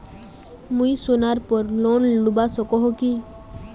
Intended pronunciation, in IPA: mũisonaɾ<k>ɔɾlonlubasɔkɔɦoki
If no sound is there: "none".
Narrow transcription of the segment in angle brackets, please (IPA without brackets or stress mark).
p